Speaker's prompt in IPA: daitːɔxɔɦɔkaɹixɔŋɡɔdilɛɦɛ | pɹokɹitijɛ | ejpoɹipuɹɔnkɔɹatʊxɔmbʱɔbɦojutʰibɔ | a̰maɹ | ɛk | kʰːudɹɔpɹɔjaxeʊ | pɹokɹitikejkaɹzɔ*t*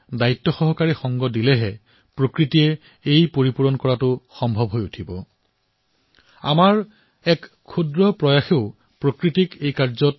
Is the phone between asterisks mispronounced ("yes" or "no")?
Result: no